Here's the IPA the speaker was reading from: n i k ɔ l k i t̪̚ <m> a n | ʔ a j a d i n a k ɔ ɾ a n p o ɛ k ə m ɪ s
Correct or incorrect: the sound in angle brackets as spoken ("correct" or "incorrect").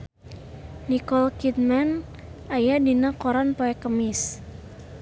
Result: correct